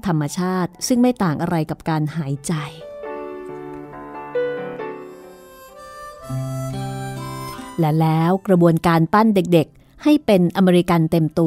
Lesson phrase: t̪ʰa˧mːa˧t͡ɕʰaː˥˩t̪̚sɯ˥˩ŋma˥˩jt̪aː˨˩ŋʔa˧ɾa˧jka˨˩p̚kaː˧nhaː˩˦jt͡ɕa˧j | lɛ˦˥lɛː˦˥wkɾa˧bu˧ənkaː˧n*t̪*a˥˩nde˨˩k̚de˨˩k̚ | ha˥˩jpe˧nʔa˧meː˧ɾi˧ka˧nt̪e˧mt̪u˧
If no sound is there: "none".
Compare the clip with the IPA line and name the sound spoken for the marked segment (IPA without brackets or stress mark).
t̪